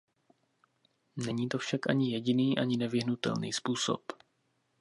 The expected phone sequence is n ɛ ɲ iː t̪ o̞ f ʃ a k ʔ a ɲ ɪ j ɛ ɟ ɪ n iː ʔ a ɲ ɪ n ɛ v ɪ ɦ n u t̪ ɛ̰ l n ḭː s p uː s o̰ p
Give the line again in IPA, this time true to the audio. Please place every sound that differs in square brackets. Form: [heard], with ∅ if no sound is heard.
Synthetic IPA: n ɛ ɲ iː t̪ o̞ f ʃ a k ʔ a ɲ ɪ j ɛ ɟ ɪ n iː ʔ a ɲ ɪ n ɛ v ɪ ɦ n u t̪ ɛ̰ l n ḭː s p uː s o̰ p